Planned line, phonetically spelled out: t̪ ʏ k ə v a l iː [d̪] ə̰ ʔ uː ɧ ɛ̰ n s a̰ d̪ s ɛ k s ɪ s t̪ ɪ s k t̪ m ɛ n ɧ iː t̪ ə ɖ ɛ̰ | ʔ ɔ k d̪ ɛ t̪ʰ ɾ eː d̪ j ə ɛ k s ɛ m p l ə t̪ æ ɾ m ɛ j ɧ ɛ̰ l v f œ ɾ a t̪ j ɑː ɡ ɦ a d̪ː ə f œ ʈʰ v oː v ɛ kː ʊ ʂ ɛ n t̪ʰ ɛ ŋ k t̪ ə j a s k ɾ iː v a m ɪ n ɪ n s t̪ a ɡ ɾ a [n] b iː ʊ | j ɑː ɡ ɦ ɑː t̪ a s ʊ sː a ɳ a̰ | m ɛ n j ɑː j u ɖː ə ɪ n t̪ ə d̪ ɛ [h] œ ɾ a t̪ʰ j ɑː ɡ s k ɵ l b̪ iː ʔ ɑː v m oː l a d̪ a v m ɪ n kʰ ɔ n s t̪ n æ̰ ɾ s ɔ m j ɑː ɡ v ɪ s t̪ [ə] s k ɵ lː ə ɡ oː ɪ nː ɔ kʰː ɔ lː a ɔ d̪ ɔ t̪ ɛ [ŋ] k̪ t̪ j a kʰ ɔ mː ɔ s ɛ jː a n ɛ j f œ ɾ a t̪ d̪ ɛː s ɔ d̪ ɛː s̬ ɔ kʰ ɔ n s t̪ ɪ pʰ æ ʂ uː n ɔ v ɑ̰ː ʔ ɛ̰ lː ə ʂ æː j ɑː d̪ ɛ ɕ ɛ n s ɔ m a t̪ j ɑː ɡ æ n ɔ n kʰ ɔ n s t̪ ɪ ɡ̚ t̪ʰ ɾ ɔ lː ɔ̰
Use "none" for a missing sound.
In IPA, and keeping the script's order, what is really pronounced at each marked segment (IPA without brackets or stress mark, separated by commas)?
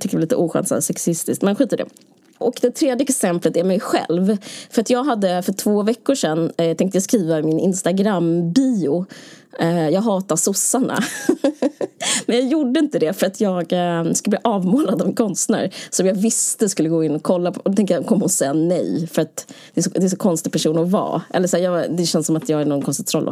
t̪, m, f, ə, ŋ